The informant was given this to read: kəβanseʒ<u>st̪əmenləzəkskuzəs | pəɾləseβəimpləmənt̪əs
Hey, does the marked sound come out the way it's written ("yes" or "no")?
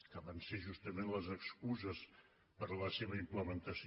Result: yes